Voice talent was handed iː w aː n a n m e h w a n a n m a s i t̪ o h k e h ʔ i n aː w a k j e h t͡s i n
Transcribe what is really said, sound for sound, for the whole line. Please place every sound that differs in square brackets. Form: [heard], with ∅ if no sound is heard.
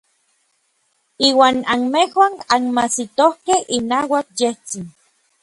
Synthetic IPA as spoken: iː w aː n a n m e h w a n a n m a s i t̪ o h k e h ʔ i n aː w a k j e h t͡s i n